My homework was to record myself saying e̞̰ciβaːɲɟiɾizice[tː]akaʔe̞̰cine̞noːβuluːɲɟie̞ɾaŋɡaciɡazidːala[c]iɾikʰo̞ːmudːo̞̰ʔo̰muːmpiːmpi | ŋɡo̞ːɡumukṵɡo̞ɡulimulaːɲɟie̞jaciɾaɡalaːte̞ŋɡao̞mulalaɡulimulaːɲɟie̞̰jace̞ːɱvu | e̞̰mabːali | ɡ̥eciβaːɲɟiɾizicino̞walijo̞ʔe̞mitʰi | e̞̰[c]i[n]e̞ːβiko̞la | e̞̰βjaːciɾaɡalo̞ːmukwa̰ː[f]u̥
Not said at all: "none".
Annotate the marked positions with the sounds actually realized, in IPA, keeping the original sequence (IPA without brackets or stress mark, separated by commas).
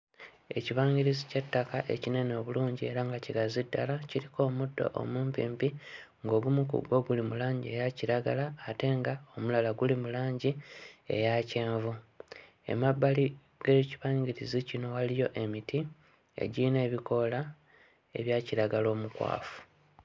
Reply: tː, c, ɟ, n, f